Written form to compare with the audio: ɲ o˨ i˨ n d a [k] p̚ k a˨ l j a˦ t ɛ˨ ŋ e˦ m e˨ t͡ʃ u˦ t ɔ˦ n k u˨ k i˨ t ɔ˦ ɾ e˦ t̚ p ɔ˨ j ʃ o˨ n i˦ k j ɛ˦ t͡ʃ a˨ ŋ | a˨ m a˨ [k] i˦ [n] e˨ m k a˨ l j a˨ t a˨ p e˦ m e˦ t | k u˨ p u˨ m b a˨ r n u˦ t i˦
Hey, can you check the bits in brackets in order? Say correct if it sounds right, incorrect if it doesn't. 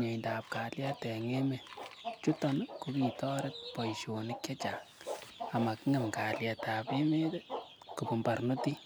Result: incorrect: none, correct, incorrect: ŋ

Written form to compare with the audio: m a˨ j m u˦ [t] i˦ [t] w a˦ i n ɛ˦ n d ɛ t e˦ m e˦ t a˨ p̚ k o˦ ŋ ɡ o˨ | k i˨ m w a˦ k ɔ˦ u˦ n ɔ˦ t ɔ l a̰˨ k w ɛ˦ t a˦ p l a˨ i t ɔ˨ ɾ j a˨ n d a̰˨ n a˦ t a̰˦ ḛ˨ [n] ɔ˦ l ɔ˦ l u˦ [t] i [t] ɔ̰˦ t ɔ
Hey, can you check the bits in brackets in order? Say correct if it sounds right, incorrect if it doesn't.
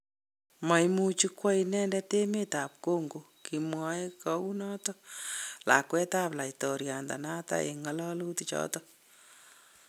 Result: incorrect: t͡ʃ, incorrect: k, incorrect: ŋ, correct, incorrect: t͡ʃ

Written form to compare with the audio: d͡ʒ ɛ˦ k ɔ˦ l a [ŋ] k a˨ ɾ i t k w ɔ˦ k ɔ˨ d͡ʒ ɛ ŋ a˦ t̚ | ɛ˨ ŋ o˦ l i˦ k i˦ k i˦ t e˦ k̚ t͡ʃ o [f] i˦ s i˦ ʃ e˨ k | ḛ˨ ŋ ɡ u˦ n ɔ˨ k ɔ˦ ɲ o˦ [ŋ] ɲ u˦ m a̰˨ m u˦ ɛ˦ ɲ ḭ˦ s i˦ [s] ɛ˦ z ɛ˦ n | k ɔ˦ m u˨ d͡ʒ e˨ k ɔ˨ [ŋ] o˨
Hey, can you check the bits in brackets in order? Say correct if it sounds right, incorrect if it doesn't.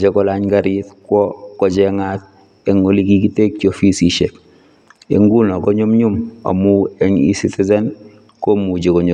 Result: incorrect: ɲ, correct, incorrect: m, incorrect: t, incorrect: ɲ

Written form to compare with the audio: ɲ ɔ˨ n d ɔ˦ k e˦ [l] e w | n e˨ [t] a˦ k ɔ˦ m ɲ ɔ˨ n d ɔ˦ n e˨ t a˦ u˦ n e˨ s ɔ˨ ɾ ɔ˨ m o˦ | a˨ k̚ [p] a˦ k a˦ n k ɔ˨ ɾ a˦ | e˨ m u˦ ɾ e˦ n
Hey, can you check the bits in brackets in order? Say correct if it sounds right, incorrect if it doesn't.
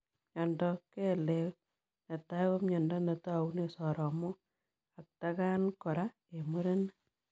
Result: correct, correct, incorrect: t

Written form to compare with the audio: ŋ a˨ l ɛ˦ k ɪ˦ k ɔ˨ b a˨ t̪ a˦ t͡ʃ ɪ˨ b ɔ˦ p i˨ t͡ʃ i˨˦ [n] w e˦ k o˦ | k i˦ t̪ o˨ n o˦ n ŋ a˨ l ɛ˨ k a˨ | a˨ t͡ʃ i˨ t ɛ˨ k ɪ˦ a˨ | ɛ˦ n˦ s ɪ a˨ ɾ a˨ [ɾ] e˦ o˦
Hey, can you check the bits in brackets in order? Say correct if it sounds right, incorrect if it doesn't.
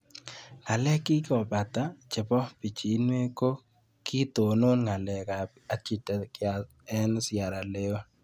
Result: correct, incorrect: l

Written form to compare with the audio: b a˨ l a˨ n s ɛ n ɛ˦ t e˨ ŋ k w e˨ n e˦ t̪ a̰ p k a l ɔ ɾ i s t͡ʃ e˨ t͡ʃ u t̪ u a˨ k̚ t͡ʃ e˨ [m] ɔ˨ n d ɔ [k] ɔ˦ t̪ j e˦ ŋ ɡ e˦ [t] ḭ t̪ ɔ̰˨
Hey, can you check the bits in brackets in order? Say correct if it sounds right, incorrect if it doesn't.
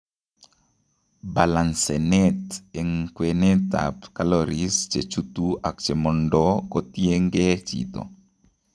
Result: correct, correct, incorrect: t͡ʃ

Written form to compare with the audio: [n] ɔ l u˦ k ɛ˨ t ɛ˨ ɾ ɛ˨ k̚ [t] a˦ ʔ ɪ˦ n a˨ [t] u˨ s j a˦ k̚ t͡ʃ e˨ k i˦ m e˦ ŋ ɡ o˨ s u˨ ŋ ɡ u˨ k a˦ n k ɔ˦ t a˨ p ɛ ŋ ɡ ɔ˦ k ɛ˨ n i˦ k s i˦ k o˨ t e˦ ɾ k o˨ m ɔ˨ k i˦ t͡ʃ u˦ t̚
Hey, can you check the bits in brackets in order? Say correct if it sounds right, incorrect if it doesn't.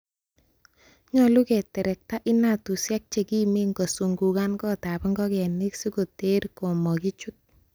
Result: incorrect: ɲ, correct, correct

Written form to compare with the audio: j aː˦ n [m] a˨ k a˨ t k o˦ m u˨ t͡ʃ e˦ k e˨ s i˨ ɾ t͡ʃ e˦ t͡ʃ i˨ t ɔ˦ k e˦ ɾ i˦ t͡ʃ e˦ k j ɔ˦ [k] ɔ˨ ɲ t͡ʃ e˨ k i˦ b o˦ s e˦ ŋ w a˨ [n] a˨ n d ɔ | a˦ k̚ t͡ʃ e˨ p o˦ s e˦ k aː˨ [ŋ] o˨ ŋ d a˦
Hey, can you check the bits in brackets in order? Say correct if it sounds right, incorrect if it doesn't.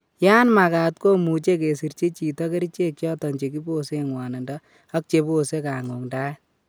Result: correct, incorrect: t, correct, correct

